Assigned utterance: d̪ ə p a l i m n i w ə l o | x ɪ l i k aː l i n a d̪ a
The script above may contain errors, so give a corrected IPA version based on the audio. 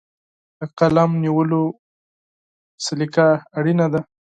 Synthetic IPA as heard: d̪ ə q a l a m n i w ə l o | s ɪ l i k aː ɽ i n a d̪ a